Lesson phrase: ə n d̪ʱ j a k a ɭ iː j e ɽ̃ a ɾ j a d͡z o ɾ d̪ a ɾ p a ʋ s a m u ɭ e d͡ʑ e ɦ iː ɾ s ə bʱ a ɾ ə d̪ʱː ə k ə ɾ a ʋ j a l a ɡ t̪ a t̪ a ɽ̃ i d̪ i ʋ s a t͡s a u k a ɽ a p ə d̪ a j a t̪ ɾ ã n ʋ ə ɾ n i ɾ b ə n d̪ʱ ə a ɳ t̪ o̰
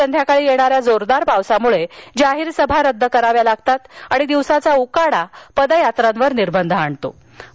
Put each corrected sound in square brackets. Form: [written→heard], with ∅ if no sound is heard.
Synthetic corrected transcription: ə n d̪ʱ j a k a ɭ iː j e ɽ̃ a ɾ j a d͡z o ɾ d̪ a ɾ p a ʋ s a m u ɭ e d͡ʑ [e→a] ɦ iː ɾ s ə bʱ a ɾ ə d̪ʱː ə k ə ɾ a ʋ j a l a ɡ t̪ a t̪ a ɽ̃ i d̪ i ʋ s a t͡s a u k a ɽ a p ə d̪ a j a t̪ ɾ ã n ʋ ə ɾ n i ɾ b ə n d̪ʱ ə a ɳ t̪ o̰